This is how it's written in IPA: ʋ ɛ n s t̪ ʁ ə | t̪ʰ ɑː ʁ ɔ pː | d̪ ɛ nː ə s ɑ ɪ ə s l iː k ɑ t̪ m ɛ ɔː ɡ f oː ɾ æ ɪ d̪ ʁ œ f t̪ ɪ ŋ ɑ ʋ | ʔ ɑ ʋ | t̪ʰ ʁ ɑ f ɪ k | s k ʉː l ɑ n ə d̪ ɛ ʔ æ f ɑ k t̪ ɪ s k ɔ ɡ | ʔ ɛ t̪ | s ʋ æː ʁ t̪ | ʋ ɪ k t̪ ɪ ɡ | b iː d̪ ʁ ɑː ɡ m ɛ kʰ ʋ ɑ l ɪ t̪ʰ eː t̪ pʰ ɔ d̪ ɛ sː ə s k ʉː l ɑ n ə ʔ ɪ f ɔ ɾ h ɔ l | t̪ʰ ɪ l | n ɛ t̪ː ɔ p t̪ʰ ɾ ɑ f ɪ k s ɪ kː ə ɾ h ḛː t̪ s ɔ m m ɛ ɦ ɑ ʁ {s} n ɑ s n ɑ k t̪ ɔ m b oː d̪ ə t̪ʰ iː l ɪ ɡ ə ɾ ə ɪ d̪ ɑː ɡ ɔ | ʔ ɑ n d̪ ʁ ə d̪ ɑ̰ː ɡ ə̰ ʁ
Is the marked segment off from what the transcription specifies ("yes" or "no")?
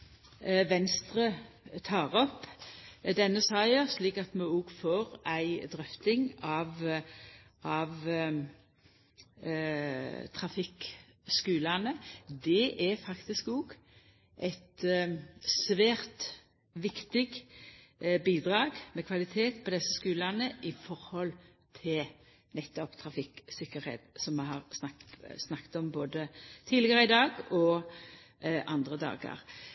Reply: no